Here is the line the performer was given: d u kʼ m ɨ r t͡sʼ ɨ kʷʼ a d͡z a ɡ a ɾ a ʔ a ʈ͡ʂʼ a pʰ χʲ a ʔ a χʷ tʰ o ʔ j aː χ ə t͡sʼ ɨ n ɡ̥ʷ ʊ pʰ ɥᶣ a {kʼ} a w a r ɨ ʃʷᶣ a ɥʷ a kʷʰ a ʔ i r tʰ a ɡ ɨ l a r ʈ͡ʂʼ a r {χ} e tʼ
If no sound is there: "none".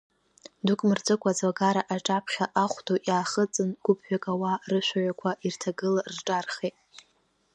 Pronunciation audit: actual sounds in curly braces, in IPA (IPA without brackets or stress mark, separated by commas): kʼ, χ